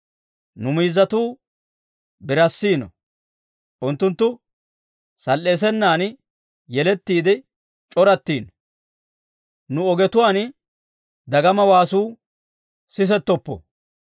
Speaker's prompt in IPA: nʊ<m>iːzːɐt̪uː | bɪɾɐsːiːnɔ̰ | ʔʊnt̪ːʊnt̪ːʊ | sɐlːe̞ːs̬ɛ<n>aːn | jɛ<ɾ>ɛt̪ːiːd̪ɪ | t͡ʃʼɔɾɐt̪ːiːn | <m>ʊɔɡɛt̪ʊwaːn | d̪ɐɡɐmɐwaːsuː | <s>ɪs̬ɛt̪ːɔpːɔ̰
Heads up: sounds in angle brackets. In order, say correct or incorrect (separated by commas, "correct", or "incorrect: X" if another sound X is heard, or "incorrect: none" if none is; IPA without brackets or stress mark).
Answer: correct, incorrect: nː, incorrect: l, incorrect: n, correct